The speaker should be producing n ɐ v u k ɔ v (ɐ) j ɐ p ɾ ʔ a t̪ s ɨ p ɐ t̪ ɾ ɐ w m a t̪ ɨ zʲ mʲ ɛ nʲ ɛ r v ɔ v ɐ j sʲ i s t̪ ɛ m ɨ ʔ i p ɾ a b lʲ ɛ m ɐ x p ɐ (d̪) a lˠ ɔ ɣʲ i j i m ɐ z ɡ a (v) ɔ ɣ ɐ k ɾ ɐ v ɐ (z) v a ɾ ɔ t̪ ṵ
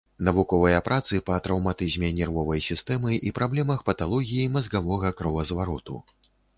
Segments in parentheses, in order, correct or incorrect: correct, incorrect: t̪, correct, correct

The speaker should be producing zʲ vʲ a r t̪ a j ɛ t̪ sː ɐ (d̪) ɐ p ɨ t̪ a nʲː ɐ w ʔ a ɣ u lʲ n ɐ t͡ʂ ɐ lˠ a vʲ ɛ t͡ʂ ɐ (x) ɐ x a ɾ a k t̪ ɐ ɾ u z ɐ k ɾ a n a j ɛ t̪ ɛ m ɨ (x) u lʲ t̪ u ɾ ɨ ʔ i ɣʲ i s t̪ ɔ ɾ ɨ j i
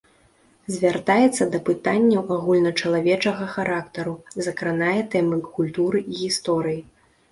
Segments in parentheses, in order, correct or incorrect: correct, incorrect: ɣ, incorrect: k

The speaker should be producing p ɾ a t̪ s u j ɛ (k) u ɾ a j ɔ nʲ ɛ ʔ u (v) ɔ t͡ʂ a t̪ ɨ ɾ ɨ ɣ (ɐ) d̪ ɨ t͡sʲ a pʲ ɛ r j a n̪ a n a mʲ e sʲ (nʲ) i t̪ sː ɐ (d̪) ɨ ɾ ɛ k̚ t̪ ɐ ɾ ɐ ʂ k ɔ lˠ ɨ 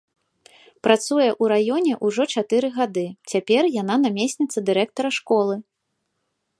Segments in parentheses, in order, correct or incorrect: incorrect: ʔ, incorrect: ʐ, incorrect: a, correct, correct

